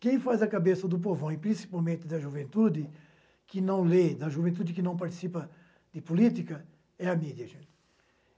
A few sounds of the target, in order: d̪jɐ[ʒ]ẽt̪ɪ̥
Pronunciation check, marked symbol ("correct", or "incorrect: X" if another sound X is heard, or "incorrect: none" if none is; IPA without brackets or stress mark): correct